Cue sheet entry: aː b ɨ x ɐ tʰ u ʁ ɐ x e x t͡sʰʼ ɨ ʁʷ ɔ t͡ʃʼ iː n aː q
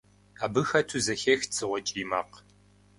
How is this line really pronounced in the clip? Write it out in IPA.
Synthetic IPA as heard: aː b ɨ x ɐ tʰ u z ɐ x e x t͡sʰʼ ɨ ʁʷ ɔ t͡ʃʼ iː m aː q